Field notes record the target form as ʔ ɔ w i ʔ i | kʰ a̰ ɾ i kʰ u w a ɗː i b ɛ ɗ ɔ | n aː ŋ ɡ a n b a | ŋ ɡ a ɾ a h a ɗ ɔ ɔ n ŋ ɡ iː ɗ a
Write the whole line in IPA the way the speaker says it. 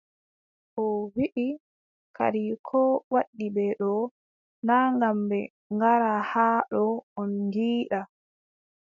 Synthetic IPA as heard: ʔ ɔ w i ʔ i | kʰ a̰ ɾ i kʰ ɔ w a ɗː i b ɛ ɗ ɔ | n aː ŋ ɡ a m b ɛ | ŋ ɡ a ɾ a h a ɗ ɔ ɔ n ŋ ɡ iː ɗ a